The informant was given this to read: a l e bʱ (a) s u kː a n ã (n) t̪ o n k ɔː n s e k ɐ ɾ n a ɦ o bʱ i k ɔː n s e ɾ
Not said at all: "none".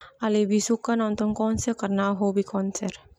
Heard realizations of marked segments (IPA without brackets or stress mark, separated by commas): i, n